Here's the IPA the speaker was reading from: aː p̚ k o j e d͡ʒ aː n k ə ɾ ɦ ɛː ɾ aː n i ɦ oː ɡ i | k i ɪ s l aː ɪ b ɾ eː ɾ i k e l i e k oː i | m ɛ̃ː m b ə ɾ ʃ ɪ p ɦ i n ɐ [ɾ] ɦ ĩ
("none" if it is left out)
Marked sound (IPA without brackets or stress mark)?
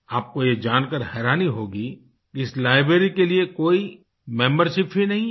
none